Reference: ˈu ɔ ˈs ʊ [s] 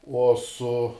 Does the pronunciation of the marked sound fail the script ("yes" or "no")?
yes